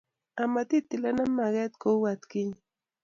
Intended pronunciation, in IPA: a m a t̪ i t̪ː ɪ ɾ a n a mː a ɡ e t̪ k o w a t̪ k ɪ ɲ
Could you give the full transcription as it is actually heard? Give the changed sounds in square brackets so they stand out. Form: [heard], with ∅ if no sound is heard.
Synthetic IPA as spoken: a m a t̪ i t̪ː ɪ [l] a n a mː a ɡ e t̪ k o w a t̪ k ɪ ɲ